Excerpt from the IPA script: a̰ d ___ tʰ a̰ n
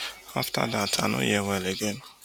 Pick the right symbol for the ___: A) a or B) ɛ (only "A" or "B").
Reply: A